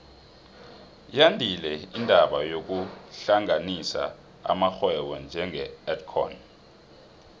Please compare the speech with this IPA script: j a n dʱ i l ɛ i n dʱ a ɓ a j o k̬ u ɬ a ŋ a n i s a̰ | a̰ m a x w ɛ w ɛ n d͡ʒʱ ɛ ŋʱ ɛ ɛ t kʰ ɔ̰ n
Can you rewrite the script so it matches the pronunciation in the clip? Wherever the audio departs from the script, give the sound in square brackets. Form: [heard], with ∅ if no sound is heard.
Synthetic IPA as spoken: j a n dʱ i l ɛ i n dʱ a ɓ a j o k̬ u ɬ a ŋ a n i s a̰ | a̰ m a x w ɛ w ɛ n d͡ʒʱ ɛ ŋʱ ɛ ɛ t kʰ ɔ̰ n